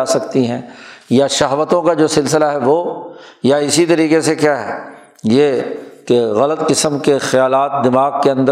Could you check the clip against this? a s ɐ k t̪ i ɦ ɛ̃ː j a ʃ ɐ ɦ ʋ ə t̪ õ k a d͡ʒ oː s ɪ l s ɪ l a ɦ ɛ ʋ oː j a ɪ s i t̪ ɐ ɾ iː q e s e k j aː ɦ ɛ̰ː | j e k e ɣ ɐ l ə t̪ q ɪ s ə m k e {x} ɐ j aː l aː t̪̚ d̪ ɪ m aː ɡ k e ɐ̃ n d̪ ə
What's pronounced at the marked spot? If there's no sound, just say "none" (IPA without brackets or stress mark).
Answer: x